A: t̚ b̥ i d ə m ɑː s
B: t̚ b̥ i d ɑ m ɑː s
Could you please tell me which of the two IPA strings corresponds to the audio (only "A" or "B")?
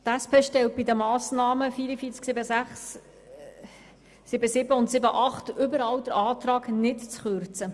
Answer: A